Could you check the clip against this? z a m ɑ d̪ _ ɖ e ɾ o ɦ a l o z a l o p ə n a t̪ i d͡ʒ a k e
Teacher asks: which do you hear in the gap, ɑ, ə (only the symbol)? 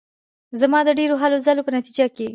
ə